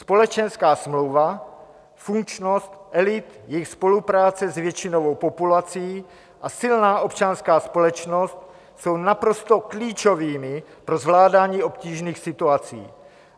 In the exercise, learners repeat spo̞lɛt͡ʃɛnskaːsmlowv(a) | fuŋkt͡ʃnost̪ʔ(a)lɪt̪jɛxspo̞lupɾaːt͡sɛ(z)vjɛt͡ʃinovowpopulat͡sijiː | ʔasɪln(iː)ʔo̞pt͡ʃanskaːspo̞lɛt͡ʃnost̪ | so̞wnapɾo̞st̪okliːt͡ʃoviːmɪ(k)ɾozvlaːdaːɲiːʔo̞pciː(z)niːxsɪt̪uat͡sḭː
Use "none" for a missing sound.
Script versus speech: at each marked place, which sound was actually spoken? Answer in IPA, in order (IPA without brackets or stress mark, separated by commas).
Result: a, ɛ, z, aː, p, ʒ